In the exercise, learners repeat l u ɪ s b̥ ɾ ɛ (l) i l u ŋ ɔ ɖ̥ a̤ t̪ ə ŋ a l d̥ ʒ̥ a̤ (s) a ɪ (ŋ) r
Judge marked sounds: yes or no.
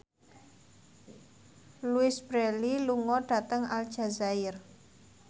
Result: yes, no, no

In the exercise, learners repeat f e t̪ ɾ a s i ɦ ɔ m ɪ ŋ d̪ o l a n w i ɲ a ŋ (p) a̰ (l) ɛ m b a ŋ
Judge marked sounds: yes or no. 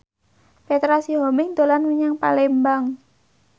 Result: yes, yes

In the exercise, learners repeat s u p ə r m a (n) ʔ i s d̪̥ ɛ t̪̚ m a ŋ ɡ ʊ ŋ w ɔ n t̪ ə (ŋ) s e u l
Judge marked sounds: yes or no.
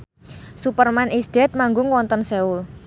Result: yes, no

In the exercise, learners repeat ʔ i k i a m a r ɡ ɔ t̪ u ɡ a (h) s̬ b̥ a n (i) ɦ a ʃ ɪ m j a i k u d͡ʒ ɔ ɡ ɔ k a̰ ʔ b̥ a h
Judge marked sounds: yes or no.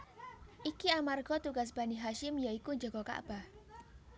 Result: no, yes

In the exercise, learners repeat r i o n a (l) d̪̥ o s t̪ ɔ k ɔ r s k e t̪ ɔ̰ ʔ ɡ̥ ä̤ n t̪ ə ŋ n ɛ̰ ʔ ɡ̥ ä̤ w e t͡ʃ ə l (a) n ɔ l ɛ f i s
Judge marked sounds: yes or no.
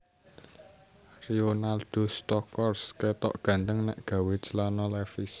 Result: yes, yes

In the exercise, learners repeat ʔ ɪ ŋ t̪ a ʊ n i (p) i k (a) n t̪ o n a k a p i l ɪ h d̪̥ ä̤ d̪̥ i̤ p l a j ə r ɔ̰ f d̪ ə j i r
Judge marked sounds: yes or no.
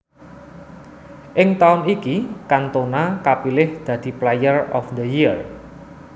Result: no, yes

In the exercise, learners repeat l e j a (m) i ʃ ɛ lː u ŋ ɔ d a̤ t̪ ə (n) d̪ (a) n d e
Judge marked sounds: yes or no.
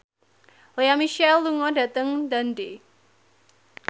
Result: yes, no, yes

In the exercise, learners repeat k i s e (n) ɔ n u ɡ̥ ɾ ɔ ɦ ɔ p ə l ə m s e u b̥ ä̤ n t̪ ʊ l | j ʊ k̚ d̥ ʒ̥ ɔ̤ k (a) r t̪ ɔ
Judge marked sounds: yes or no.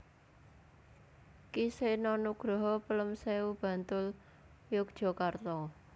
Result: yes, yes

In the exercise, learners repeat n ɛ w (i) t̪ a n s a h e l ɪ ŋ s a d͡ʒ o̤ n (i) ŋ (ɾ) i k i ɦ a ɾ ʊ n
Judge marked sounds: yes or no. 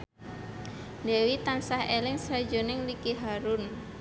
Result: yes, no, no

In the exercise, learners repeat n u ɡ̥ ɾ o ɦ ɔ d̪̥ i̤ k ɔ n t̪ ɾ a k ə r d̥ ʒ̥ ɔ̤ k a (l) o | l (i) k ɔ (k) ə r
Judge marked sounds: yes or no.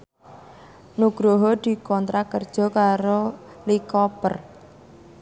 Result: no, yes, no

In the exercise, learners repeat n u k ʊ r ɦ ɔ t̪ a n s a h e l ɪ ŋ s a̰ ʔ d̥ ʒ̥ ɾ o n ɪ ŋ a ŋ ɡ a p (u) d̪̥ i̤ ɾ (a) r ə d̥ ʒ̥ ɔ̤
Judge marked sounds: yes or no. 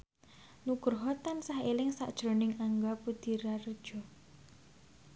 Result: yes, yes

